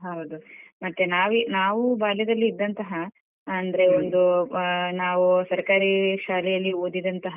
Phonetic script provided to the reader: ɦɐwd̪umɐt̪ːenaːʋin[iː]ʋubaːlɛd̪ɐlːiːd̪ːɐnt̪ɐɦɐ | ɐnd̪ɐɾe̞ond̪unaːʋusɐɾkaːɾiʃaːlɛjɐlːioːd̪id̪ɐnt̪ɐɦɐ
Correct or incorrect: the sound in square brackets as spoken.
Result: incorrect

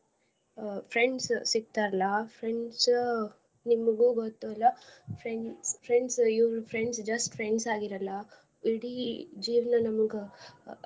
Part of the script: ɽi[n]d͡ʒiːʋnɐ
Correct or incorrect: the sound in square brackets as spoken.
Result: incorrect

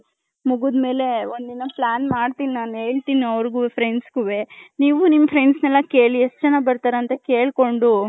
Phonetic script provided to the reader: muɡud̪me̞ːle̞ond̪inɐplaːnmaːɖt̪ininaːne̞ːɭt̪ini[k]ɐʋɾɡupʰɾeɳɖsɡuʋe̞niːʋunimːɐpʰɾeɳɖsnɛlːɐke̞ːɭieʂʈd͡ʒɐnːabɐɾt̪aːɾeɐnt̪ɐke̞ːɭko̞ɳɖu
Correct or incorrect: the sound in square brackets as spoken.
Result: incorrect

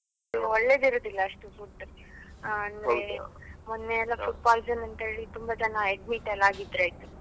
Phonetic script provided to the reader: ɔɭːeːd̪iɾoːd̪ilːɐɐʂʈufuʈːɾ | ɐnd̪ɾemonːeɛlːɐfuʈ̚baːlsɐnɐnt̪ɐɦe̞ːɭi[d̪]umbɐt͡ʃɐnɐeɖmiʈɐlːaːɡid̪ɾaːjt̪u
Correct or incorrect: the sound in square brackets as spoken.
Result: incorrect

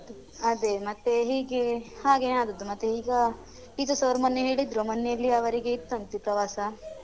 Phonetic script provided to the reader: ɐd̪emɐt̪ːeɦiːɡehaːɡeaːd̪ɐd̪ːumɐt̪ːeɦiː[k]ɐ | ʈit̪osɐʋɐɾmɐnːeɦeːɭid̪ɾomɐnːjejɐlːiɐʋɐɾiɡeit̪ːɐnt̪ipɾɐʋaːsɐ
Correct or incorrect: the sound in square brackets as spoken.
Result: incorrect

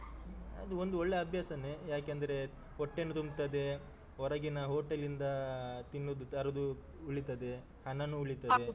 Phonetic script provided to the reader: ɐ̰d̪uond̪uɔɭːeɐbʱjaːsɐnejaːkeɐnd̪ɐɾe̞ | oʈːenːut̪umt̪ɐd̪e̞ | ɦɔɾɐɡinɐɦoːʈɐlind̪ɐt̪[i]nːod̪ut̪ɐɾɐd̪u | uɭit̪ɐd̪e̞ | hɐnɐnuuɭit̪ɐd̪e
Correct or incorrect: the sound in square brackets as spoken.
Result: correct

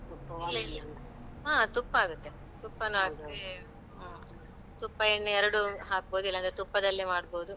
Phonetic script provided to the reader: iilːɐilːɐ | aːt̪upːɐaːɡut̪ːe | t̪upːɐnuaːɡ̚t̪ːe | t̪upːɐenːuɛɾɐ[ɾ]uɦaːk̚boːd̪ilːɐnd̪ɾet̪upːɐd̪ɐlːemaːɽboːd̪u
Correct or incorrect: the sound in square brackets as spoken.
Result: incorrect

